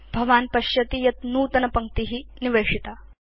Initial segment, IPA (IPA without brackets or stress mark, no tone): bʱ